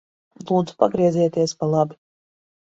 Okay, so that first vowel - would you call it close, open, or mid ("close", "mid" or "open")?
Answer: close